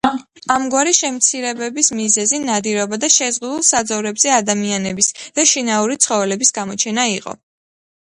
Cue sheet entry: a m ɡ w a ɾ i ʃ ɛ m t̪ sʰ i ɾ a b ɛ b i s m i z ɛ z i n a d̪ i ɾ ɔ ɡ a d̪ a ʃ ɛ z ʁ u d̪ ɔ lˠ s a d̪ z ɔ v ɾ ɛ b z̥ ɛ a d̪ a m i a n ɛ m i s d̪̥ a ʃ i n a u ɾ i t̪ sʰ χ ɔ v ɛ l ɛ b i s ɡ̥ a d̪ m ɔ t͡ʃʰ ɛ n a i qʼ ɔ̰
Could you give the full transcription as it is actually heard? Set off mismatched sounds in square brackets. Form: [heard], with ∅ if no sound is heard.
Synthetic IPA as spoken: a m ɡ w a ɾ i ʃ ɛ m t̪ sʰ i ɾ [ɛ] b ɛ b i s m i z ɛ z i n a d̪ i ɾ ɔ [b] a d̪ a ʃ ɛ z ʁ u d̪ [u] lˠ s a d̪ z ɔ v ɾ ɛ b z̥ ɛ a d̪ a m i a n ɛ [b] i s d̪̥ a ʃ i n a u ɾ i t̪ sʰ χ ɔ v ɛ l ɛ b i s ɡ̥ a [∅] m ɔ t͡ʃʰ ɛ n a i qʼ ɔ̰